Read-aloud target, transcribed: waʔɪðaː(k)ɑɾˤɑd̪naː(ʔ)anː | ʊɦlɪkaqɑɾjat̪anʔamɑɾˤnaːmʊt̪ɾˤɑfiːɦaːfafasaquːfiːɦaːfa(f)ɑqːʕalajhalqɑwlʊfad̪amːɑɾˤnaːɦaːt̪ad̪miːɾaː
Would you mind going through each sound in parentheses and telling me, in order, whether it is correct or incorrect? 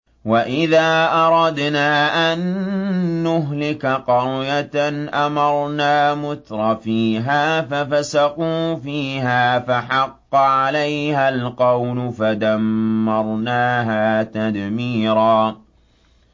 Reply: incorrect: ʔ, correct, incorrect: ħ

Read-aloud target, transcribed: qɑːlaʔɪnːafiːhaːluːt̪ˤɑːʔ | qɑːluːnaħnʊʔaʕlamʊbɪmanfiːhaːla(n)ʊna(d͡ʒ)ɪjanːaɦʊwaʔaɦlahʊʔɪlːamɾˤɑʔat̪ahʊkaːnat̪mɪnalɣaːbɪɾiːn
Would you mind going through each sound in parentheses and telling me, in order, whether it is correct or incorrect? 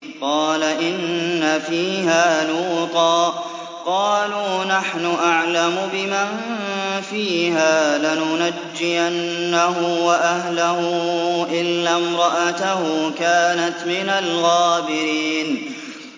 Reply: correct, incorrect: d͡ʒː

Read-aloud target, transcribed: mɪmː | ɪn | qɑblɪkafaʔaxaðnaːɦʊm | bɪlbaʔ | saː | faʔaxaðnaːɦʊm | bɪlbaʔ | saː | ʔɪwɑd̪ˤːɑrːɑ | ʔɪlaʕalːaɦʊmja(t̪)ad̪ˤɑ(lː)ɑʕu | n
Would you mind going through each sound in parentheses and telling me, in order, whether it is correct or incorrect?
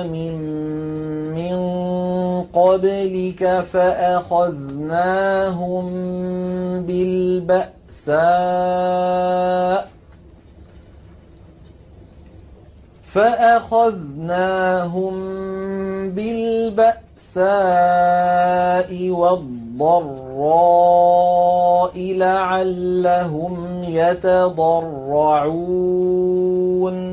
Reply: correct, incorrect: rː

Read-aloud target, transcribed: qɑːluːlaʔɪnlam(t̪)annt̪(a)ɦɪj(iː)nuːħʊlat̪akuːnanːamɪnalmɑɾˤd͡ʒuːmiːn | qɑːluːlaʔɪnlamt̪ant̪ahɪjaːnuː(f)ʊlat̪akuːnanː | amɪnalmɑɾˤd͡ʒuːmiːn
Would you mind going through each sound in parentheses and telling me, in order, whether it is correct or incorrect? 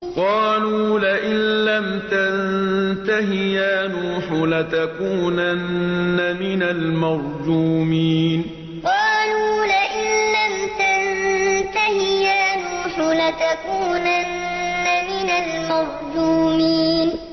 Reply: correct, correct, incorrect: aː, incorrect: ħ

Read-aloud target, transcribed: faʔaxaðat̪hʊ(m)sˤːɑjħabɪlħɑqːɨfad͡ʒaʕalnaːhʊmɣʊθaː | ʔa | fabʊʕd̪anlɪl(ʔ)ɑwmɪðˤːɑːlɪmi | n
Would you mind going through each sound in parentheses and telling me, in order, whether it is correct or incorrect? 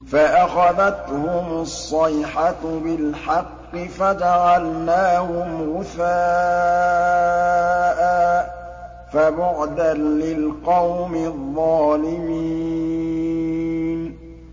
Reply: correct, incorrect: q

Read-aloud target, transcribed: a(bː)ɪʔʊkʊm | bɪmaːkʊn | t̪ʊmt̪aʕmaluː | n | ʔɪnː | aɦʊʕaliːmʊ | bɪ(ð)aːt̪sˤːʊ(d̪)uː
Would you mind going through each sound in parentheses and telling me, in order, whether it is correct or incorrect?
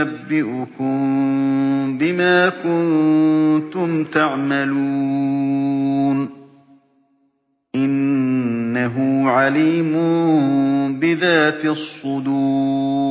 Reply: correct, correct, correct

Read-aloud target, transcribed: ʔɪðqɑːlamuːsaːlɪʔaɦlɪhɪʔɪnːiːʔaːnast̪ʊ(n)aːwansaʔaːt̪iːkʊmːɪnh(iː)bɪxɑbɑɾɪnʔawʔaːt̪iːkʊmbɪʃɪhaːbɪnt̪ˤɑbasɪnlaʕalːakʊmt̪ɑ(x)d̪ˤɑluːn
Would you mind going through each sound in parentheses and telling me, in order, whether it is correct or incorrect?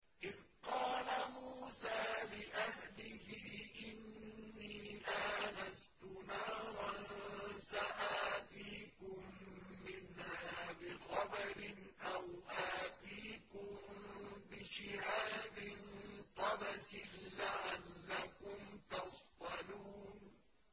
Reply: correct, incorrect: aː, incorrect: f

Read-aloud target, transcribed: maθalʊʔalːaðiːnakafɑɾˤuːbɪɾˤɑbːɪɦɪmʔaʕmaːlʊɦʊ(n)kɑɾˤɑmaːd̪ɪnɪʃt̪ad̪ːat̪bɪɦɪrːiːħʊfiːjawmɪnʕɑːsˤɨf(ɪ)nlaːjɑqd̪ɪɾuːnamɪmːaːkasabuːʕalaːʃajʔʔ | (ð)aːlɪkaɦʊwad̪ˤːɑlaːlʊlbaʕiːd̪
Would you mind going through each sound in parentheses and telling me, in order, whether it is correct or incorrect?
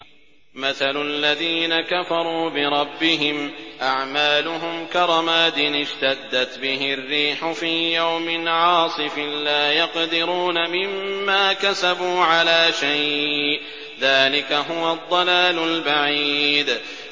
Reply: incorrect: m, correct, correct

